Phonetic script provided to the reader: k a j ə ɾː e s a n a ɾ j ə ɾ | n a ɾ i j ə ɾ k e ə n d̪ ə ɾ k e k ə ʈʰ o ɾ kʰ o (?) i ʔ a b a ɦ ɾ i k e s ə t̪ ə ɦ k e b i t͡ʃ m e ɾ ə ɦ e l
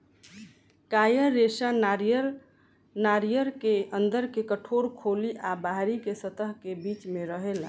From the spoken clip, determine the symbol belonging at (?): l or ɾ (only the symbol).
l